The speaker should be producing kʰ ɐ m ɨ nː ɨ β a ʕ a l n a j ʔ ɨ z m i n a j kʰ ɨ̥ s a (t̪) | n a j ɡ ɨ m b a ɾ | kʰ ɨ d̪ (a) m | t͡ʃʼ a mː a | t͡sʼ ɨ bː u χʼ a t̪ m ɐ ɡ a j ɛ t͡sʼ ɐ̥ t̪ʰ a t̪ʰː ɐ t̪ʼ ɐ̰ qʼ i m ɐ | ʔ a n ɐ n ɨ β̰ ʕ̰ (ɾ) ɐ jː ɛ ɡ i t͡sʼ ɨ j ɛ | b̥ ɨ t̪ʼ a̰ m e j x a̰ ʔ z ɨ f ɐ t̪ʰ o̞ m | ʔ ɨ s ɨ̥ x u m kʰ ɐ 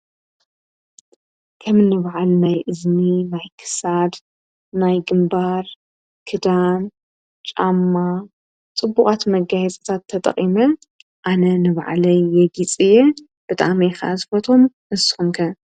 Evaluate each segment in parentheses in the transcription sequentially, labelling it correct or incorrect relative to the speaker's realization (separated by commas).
incorrect, correct, incorrect